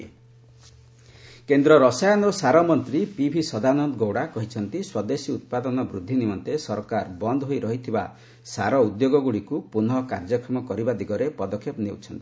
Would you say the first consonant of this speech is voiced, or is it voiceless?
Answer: voiceless